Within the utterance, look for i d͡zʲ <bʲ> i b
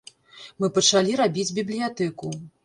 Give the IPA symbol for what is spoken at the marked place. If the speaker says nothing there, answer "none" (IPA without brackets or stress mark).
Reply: bʲ